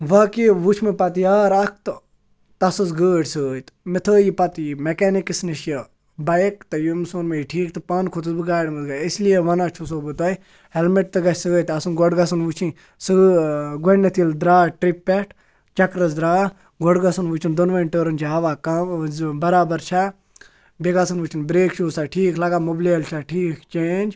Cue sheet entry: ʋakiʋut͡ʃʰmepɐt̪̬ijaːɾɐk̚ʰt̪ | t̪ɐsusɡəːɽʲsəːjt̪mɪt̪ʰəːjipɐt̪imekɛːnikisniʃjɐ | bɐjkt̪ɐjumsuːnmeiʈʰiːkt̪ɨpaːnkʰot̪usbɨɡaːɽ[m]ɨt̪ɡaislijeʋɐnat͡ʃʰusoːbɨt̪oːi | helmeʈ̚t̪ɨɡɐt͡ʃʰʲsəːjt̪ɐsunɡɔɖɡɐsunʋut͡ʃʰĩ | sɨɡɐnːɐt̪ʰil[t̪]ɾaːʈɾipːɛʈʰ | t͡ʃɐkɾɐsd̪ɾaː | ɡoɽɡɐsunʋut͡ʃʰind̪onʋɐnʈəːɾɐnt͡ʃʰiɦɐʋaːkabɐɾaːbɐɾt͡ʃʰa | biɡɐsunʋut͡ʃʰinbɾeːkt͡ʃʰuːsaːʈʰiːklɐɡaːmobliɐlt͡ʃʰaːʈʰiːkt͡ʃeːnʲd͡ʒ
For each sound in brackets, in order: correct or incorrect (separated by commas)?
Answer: correct, incorrect